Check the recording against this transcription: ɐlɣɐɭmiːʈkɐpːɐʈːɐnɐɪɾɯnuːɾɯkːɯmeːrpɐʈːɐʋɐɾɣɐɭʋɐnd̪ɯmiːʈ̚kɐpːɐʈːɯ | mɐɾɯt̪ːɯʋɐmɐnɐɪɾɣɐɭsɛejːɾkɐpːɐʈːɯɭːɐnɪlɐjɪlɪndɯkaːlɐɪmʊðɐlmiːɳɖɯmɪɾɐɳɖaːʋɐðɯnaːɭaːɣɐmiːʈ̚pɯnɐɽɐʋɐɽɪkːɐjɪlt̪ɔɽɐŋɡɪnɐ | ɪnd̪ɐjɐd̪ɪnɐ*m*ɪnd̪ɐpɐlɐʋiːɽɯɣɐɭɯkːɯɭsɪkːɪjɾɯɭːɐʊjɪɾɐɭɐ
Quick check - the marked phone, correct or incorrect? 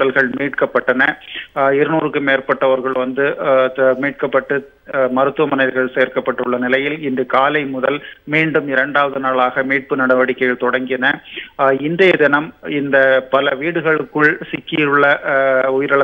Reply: correct